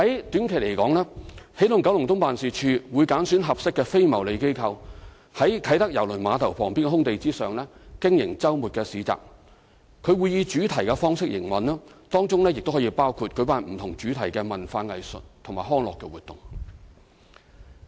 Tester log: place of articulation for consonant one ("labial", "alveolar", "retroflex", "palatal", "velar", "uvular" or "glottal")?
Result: glottal